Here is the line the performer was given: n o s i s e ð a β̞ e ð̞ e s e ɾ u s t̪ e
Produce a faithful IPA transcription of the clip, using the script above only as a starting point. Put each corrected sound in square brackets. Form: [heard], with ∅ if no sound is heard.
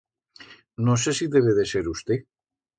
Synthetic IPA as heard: n o s [e] s [i] ð [e] β̞ e ð̞ e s e ɾ u s t̪ e